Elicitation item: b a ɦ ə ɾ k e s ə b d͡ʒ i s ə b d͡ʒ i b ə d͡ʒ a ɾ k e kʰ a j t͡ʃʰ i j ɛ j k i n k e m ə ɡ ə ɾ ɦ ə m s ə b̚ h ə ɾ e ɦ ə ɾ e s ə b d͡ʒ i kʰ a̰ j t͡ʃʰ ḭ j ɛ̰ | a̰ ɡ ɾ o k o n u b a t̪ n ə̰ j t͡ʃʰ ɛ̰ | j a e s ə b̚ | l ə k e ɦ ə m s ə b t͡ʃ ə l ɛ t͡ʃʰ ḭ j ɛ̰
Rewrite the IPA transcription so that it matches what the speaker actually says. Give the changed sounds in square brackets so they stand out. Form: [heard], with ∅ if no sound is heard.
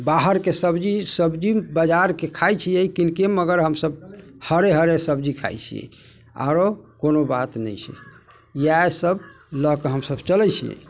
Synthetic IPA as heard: b a ɦ ə ɾ k e s ə b d͡ʒ i s ə b d͡ʒ i b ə d͡ʒ a ɾ k e kʰ a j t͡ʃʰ i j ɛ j k i n k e m ə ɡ ə ɾ ɦ ə m s ə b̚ h ə ɾ e ɦ ə ɾ e s ə b d͡ʒ i kʰ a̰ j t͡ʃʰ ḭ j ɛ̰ | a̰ [∅] ɾ o k o n [o] b a t̪ n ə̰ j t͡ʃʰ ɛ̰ | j a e s ə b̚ | l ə k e ɦ ə m s ə b t͡ʃ ə l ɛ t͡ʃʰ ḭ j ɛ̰